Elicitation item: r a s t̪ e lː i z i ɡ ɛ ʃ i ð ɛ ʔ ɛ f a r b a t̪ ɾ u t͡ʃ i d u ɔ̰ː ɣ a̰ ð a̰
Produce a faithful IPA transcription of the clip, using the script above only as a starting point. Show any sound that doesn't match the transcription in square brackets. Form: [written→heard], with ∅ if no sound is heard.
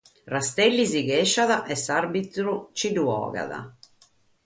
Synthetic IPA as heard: r a s t̪ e lː i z i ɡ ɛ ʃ [i→a] ð [ɛ→a] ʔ ɛ [f→s] a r b [a→i] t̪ ɾ u t͡ʃ i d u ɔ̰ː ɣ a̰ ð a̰